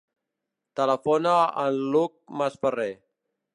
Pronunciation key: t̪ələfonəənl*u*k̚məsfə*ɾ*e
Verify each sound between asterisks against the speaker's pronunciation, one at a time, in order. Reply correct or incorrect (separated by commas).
correct, incorrect